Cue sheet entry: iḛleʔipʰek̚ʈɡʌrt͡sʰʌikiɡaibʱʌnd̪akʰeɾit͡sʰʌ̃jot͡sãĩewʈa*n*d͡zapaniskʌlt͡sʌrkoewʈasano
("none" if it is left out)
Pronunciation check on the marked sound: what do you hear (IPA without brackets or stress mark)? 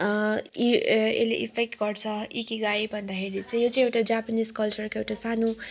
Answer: none